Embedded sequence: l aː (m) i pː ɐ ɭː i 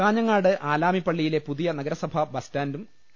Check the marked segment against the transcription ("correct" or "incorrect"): correct